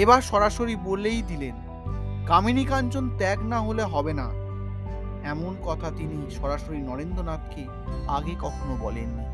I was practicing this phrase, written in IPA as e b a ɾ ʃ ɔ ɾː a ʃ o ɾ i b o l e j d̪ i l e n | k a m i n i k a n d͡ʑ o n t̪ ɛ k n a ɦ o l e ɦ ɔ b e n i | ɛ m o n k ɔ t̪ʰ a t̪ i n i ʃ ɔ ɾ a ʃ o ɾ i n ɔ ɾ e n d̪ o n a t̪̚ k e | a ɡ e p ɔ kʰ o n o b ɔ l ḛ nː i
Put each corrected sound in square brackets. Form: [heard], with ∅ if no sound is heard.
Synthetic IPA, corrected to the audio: e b a ɾ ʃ ɔ [ɾ] a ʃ o ɾ i b o l e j d̪ i l e n | k a m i n i k a n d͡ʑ o n t̪ ɛ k n a ɦ o l e ɦ ɔ b e n [a] | ɛ m o n k ɔ t̪ʰ a t̪ i n i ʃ ɔ ɾ a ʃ o ɾ i n ɔ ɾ e n d̪ o n a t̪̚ k e | a ɡ e [k] ɔ kʰ o n o b ɔ l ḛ nː i